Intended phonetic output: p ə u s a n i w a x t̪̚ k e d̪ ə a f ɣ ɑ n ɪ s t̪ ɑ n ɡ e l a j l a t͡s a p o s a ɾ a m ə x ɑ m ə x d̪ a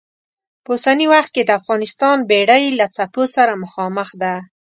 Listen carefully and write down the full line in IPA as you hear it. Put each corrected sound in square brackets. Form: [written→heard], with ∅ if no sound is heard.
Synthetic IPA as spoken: p ə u s a n i w a x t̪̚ k e d̪ ə a f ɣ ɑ n ɪ s t̪ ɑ n [ɡ→b] e [l→ɽ] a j l a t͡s a p o s a ɾ a m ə x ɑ m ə x d̪ a